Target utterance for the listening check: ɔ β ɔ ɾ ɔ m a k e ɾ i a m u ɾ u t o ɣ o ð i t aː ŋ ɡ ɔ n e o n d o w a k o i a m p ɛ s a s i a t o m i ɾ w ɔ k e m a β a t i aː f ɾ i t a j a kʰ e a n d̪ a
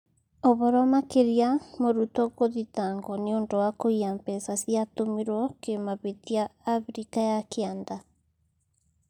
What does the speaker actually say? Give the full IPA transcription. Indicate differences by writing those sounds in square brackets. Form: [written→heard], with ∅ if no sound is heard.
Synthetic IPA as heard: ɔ β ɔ ɾ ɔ m a k e ɾ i a m [u→o] ɾ u t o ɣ o ð i t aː ŋ ɡ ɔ n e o n d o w a k o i a m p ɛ s a s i a t o m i ɾ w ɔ k e m a β [a→e] t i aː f ɾ i [t→k] a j a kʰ e a n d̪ a

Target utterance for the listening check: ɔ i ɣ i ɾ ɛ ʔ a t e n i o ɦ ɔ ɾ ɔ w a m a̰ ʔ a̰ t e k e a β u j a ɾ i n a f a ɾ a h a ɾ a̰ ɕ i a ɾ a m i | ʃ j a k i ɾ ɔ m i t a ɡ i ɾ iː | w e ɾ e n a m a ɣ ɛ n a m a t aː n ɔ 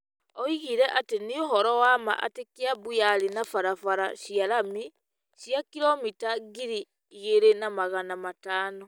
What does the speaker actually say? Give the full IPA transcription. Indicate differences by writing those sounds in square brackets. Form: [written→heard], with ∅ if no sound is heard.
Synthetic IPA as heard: ɔ i ɣ i ɾ ɛ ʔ a t e n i o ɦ ɔ ɾ ɔ w a m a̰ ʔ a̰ t e k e a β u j a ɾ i n a f a ɾ a [h→f] a ɾ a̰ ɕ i a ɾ a m i | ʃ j a k i ɾ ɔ m i t a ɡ i ɾ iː | [w→ɣ] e ɾ e n a m a ɣ [ɛ→a] n a m a t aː n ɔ

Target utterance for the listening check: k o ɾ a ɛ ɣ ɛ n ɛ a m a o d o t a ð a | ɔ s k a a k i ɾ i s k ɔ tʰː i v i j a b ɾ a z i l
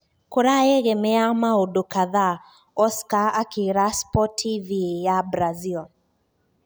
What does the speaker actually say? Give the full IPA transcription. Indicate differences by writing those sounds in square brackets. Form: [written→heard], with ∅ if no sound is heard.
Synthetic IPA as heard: k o ɾ a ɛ ɣ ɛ [n→m] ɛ a m a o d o [t→k] a ð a | ɔ s k a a k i ɾ [i→a] s [k→p] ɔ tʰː i v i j a b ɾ a z i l

